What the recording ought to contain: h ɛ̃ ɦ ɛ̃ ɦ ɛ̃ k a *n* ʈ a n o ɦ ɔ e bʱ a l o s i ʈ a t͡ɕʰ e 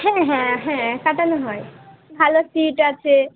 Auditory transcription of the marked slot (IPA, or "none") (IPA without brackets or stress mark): none